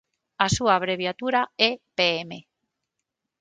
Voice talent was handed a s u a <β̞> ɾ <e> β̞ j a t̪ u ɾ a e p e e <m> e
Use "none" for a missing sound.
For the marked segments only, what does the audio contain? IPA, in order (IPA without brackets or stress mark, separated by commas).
β̞, e, m